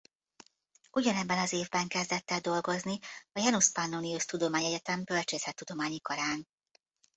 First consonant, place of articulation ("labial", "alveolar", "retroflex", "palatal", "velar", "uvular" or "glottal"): palatal